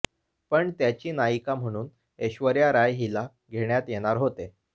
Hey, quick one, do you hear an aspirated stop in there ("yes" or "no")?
no